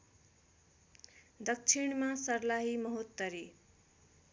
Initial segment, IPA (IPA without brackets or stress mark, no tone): d̪